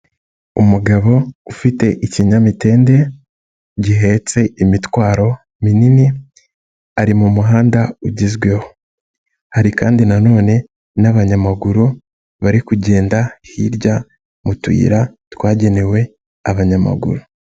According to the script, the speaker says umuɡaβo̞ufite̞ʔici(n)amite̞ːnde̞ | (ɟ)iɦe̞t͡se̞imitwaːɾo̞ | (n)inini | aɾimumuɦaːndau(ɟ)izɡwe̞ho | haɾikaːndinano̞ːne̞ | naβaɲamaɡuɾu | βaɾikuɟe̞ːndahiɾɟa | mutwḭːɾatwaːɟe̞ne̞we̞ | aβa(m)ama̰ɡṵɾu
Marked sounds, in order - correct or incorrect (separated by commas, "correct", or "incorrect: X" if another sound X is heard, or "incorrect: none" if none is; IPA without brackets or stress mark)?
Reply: incorrect: ɲ, correct, incorrect: m, correct, incorrect: ɲ